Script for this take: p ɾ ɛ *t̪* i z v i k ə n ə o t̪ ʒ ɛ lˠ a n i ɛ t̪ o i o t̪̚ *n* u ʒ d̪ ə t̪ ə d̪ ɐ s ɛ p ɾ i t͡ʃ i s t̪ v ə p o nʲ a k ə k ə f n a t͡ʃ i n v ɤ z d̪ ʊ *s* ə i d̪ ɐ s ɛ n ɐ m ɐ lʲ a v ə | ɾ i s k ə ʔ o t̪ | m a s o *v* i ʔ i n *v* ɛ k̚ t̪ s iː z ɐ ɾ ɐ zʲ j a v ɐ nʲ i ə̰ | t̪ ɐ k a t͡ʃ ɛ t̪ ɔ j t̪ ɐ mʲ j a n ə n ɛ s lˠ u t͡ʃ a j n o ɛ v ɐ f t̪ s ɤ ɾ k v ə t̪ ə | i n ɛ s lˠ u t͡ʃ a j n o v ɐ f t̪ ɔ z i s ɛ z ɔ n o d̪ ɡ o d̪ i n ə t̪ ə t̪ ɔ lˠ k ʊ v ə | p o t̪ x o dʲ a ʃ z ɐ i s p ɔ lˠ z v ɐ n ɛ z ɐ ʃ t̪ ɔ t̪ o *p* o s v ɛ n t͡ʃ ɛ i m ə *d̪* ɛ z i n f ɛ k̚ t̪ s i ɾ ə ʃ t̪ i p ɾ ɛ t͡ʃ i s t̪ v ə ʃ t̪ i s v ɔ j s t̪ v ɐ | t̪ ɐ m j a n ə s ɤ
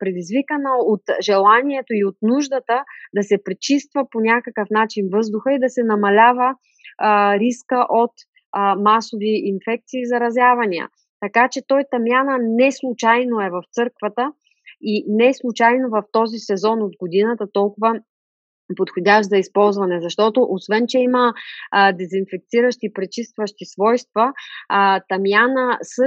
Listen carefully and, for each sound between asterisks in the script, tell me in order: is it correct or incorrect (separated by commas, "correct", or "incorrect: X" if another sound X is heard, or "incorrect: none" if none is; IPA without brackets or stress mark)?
incorrect: d̪, correct, incorrect: x, correct, incorrect: f, incorrect: ʔ, correct